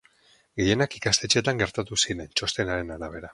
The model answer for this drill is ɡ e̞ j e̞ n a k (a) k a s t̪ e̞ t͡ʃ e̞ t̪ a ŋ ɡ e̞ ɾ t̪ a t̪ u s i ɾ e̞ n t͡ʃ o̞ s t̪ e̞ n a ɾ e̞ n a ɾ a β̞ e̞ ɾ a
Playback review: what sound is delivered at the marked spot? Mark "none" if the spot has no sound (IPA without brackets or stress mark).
i